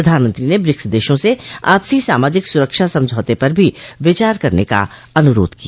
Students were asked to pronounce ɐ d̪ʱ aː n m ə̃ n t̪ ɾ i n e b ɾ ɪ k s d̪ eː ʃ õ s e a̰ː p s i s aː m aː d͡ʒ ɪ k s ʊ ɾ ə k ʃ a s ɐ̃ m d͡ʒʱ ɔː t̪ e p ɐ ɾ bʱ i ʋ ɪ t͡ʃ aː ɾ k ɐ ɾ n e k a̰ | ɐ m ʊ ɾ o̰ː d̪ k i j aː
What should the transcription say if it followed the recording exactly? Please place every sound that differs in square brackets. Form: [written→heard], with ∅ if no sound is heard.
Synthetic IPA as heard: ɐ d̪ʱ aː n m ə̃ n t̪ ɾ i n e b ɾ ɪ k s d̪ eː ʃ õ s e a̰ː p s i s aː m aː d͡ʒ ɪ k s ʊ ɾ ə k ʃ a s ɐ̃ m d͡ʒʱ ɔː t̪ e p ɐ ɾ bʱ i ʋ ɪ t͡ʃ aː ɾ k ɐ ɾ n e k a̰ | ɐ [m→n] ʊ ɾ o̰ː d̪ k i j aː